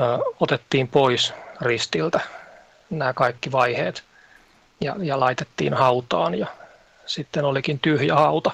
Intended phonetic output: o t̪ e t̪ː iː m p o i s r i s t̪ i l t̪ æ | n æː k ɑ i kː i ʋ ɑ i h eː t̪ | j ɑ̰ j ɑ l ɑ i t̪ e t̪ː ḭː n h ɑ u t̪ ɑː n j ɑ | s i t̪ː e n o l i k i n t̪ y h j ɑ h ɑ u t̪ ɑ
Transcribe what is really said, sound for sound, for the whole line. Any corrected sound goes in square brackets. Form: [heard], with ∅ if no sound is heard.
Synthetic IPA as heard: o t̪ e t̪ː iː m p o i s r i s t̪ i l t̪ æ | n æː k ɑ i kː i ʋ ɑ i h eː t̪ | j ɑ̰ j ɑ l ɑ i t̪ e t̪ː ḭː n h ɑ u t̪ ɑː n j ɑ | s i t̪ː e n o l i k i n t̪ y h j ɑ h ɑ u t̪ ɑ